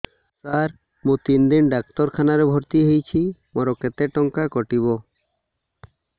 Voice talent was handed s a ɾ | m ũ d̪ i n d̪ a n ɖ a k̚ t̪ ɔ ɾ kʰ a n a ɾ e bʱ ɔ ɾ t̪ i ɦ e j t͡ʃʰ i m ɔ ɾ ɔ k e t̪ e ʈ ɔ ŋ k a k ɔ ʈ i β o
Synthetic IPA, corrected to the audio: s a ɾ | m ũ t̪ i n d̪ i n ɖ a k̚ t̪ ɔ ɾ kʰ a n a ɾ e bʱ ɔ ɾ t̪ i ɦ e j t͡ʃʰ i m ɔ ɾ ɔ k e t̪ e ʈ ɔ ŋ k a k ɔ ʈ i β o